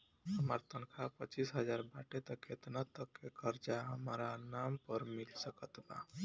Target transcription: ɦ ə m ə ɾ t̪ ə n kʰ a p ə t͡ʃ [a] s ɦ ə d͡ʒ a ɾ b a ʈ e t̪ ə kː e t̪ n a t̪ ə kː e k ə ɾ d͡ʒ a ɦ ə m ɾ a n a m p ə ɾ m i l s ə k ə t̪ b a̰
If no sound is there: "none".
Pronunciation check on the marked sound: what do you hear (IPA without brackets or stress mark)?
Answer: i